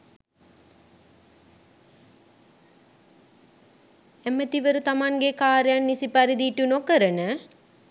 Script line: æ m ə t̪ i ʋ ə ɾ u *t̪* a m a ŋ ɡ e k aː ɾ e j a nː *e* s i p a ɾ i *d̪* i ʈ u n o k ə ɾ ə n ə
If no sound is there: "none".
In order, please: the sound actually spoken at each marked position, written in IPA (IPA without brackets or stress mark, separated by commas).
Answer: t̪, i, d̪